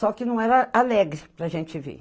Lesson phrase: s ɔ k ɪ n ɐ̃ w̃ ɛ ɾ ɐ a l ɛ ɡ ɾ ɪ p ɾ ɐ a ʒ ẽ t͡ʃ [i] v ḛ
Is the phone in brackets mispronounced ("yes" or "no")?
yes